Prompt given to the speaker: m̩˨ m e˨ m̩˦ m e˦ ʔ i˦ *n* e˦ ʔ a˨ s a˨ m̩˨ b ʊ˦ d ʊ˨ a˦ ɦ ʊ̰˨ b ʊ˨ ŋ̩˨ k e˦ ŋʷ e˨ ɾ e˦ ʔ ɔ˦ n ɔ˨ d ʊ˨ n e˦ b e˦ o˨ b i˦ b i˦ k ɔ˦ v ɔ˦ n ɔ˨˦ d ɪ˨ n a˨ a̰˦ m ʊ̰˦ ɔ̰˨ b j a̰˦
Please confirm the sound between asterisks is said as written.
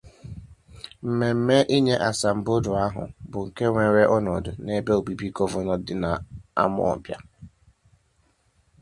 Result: no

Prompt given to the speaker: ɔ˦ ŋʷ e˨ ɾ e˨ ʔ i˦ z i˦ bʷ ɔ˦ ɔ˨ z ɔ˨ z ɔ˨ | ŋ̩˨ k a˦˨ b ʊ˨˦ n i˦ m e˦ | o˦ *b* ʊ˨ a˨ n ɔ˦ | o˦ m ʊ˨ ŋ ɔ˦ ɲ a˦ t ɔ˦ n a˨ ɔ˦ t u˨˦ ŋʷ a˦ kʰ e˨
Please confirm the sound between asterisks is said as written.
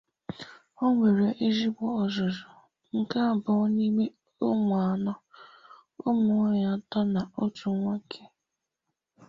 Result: no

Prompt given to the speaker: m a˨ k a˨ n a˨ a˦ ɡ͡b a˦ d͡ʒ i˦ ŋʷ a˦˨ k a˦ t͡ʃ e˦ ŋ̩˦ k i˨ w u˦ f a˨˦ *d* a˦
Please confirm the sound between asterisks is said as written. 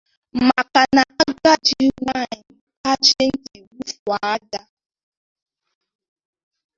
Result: yes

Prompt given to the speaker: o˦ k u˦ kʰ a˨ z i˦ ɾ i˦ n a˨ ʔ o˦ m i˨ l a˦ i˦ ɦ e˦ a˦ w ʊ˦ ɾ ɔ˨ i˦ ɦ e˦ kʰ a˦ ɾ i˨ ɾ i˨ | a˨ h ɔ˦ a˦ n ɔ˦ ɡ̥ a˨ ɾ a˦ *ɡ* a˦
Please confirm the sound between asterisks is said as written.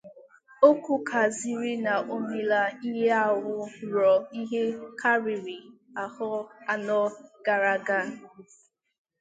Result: yes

